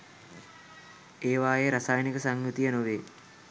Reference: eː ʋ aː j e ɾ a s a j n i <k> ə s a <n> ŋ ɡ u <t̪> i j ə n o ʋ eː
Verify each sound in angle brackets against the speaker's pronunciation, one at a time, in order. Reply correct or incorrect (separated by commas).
correct, incorrect, correct